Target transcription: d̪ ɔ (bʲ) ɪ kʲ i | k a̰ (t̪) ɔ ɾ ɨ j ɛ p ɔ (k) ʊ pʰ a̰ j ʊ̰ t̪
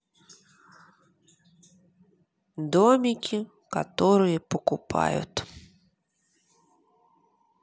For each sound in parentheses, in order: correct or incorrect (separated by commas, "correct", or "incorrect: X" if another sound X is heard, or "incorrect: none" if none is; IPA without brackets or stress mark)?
incorrect: mʲ, correct, correct